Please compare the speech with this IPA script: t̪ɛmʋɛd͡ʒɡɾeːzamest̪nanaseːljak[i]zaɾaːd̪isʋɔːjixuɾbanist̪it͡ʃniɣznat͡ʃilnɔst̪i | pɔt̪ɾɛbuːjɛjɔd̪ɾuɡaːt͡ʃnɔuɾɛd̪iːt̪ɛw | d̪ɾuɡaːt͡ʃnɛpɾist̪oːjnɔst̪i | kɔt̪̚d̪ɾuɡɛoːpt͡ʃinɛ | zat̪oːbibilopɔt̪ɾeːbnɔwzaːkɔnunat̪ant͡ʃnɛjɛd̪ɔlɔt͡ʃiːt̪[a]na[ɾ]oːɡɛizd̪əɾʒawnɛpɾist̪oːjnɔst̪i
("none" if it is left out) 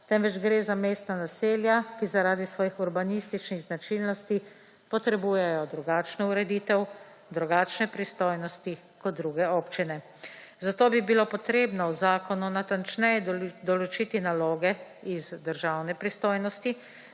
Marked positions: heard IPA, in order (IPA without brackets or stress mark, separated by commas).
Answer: i, i, l